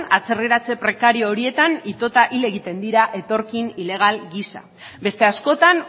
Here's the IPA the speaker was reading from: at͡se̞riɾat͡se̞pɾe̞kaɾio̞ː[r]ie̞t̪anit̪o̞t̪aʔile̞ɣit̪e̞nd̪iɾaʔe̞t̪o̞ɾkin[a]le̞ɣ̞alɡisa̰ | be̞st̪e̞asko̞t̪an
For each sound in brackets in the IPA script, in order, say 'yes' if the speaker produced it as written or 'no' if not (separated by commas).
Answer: no, no